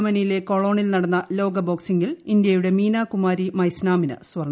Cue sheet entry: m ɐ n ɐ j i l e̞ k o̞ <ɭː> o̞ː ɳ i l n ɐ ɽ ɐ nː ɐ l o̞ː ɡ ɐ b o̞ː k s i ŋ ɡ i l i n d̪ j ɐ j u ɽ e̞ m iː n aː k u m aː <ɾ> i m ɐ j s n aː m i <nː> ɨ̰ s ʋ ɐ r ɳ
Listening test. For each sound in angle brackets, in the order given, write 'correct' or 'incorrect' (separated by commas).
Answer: incorrect, correct, incorrect